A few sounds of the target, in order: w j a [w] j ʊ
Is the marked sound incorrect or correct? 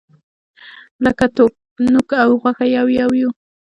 correct